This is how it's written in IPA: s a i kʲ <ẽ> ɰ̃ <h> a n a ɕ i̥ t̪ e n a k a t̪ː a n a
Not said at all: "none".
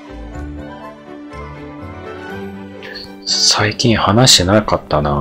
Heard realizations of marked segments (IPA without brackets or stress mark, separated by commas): ĩ, h